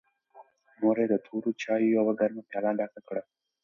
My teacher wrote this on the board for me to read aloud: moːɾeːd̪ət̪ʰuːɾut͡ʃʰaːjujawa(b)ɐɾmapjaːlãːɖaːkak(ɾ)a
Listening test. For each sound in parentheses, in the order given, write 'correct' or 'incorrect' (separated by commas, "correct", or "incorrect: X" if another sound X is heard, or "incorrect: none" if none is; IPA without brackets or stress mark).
incorrect: ɡ, incorrect: ɽ